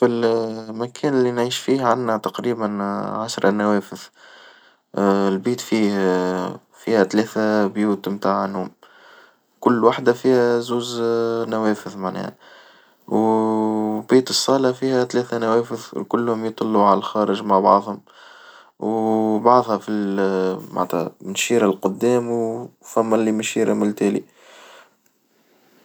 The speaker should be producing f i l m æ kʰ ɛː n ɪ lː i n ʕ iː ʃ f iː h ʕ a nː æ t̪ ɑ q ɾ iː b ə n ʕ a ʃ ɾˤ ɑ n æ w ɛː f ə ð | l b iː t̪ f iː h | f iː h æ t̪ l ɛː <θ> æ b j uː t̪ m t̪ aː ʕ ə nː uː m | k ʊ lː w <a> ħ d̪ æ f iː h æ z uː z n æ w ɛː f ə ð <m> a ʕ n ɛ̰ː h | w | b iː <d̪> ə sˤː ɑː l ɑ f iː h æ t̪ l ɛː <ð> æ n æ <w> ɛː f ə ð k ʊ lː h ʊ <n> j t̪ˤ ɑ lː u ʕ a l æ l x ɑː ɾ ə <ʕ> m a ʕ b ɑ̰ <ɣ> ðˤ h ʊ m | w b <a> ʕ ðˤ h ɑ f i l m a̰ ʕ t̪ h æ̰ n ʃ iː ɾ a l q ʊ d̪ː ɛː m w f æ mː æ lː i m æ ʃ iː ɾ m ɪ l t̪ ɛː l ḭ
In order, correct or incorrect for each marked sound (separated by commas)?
correct, correct, correct, incorrect, incorrect, correct, incorrect, incorrect, incorrect, incorrect